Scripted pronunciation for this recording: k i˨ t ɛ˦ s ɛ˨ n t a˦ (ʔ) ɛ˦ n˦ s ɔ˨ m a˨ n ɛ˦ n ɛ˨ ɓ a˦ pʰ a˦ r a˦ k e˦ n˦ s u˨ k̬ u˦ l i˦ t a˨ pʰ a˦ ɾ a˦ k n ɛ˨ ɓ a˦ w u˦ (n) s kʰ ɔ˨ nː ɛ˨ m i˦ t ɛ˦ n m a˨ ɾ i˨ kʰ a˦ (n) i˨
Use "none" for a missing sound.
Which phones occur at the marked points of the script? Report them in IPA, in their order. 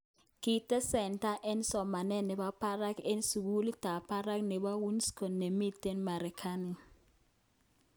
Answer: ʔ, n, n

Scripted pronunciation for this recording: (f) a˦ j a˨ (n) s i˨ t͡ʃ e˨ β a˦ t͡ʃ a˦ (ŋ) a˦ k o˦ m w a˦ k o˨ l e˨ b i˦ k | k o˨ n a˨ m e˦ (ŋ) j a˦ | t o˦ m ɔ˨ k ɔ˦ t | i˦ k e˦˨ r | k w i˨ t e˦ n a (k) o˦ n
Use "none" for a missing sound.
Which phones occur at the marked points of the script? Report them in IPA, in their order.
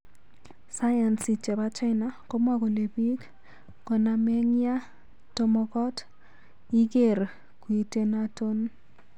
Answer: s, n, n, ŋ, t

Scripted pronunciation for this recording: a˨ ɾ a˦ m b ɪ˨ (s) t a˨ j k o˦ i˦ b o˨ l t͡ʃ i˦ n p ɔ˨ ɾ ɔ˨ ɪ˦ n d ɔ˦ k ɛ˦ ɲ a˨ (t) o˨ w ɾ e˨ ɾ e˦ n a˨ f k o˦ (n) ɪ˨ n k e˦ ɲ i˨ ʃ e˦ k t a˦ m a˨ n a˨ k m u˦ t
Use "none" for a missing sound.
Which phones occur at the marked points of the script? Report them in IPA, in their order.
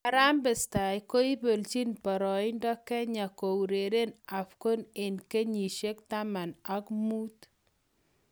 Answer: s, k, n

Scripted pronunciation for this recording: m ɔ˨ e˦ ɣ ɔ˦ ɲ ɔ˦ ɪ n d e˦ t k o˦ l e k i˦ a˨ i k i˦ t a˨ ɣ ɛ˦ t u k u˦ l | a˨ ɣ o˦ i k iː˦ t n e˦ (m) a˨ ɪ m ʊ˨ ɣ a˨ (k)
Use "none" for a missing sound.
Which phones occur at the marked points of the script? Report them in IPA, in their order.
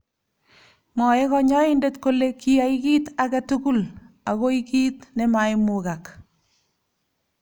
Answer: m, k

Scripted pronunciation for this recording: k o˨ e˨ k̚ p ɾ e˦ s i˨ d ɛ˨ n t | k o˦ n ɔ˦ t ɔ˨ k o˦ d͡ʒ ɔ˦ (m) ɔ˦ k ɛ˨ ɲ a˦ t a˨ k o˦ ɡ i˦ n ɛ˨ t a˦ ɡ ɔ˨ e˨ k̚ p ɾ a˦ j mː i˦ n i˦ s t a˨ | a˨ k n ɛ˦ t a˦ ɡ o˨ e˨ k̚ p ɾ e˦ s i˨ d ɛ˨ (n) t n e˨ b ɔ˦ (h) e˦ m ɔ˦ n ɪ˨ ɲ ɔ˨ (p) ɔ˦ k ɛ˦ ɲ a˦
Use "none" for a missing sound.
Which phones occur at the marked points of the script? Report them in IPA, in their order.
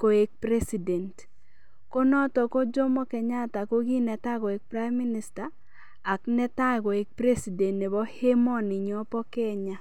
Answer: m, n, h, p

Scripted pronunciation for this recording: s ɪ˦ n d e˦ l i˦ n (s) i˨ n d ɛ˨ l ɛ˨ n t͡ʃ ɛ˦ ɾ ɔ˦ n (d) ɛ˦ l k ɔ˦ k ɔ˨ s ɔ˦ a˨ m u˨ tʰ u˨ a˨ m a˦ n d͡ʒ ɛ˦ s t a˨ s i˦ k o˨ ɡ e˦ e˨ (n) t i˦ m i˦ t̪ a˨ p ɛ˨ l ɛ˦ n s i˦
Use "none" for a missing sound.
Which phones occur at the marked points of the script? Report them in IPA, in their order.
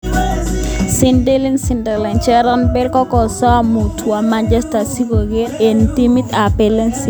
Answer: s, b, n

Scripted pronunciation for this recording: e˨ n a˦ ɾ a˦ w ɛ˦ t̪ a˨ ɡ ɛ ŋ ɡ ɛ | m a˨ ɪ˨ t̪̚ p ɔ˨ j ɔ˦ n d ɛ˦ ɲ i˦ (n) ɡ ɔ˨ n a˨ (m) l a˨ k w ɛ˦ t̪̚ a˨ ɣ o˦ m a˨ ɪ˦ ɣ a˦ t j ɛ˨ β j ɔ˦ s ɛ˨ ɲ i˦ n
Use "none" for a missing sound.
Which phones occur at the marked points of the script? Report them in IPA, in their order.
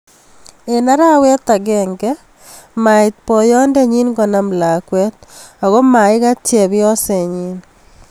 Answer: n, m

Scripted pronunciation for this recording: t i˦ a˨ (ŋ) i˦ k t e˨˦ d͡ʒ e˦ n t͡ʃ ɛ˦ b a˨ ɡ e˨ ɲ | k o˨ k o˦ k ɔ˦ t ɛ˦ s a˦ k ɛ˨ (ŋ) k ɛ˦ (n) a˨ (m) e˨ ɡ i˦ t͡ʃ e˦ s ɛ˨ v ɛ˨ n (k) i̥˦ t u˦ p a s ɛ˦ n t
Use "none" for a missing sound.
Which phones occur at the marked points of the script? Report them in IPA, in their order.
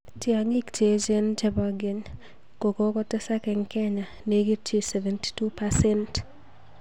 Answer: ŋ, ŋ, ɲ, n, t

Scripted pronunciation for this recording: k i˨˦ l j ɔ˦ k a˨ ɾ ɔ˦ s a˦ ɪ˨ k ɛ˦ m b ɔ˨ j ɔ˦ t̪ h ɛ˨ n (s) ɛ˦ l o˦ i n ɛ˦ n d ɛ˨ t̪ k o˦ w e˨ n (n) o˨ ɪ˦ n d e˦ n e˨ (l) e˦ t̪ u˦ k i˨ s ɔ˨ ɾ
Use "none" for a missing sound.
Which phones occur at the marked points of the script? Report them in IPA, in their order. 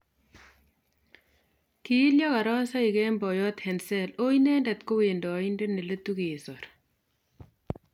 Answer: s, d, l

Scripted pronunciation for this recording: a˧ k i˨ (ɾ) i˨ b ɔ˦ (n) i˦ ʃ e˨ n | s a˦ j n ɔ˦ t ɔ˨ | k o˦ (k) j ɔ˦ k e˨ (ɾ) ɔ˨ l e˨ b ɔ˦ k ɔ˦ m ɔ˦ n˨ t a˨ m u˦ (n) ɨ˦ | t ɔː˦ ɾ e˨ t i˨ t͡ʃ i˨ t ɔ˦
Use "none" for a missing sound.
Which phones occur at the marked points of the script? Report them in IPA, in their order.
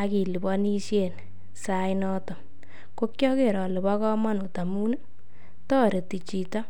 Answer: l, n, k, ɾ, n

